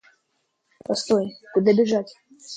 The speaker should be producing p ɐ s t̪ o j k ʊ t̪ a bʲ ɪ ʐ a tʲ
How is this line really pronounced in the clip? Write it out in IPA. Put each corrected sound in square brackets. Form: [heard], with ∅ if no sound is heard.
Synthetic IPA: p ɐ s t̪ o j k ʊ [d̪] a bʲ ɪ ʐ a tʲ

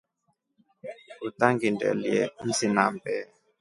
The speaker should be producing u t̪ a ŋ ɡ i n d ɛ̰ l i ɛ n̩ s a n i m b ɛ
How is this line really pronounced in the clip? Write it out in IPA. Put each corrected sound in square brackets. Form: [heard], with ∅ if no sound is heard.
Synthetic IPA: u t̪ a ŋ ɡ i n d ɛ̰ l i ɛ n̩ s [i] n [a] m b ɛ

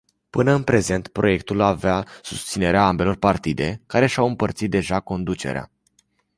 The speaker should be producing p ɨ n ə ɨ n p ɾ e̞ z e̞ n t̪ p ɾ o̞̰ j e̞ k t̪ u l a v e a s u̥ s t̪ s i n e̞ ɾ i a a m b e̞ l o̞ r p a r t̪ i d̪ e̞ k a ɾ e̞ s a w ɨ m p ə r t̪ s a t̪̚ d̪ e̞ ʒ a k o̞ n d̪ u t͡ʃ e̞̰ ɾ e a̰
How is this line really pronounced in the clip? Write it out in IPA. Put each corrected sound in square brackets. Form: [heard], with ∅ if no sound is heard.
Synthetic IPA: p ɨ n ə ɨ n p ɾ e̞ z e̞ n t̪ p ɾ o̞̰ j e̞ k t̪ u l a v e a s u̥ s t̪ s i n e̞ ɾ [e] a a m b e̞ l o̞ r p a r t̪ i d̪ e̞ k a ɾ e̞ [ʃ] a w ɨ m p ə r t̪ s [i] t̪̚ d̪ e̞ ʒ a k o̞ n d̪ u t͡ʃ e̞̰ ɾ e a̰

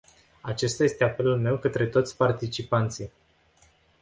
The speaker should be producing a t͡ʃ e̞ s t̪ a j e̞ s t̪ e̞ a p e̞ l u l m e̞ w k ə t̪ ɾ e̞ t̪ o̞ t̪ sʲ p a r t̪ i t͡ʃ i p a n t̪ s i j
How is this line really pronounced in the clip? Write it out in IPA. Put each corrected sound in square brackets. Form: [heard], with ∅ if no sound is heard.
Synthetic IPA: a t͡ʃ e̞ s t̪ a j e̞ s t̪ e̞ a p e̞ l u l m e̞ w k ə t̪ ɾ e̞ t̪ o̞ t̪ sʲ p a r t̪ i t͡ʃ i p a n t̪ s i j

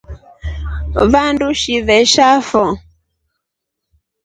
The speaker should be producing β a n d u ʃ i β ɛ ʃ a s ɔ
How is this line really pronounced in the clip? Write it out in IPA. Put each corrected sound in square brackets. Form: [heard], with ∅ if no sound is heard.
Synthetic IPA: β a n d u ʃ i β ɛ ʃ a [f] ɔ

